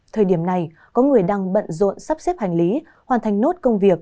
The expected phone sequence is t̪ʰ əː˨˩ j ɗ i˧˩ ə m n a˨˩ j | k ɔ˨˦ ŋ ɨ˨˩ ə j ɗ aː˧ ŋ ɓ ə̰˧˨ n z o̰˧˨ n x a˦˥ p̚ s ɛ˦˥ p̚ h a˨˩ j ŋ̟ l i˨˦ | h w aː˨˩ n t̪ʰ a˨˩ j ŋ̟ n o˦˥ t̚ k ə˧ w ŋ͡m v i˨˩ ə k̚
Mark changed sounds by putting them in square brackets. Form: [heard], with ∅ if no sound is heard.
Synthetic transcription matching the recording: t̪ʰ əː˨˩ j ɗ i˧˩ ə m n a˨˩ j | k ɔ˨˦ ŋ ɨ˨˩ ə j ɗ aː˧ ŋ ɓ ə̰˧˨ n z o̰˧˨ n [s] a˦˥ p̚ s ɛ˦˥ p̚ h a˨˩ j ŋ̟ l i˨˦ | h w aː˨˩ n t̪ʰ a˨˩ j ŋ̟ n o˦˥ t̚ k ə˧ w ŋ͡m v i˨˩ ə k̚

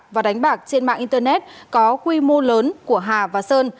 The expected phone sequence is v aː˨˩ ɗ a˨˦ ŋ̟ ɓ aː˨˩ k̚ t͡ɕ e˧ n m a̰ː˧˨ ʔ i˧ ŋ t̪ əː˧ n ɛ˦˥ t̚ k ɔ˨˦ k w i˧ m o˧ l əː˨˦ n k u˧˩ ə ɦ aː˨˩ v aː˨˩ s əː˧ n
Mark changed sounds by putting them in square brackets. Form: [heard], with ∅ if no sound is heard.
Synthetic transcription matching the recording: v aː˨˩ ɗ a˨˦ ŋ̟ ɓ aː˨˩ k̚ t͡ɕ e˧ n m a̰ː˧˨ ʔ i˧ [n] t̪ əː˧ n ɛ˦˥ t̚ k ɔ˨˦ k w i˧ m o˧ l əː˨˦ n k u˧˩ ə ɦ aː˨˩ v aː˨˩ s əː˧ n

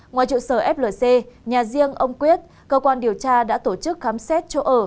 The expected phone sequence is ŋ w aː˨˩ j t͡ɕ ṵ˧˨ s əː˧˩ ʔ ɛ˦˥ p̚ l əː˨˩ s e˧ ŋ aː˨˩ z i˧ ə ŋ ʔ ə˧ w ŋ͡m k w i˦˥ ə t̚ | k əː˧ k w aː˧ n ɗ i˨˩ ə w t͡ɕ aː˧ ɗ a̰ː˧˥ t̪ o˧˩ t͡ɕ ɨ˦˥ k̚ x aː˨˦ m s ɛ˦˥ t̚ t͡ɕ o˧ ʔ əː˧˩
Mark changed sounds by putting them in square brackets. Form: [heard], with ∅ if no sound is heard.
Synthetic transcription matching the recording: ŋ w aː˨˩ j t͡ɕ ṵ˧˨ s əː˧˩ ʔ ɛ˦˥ p̚ l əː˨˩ s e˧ [ɲ] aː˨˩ z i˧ ə ŋ ʔ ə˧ w ŋ͡m k w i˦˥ ə t̚ | k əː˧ k w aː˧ n ɗ i˨˩ ə w t͡ɕ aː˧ ɗ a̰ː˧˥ t̪ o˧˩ t͡ɕ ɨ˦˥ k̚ x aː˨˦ m s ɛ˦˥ t̚ t͡ɕ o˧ ʔ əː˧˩

